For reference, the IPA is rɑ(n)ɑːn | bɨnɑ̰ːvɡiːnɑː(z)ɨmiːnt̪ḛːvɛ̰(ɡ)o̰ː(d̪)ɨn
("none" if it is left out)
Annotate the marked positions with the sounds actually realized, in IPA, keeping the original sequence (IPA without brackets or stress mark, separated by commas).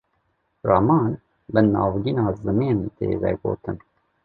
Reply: m, z, ɡ, t̪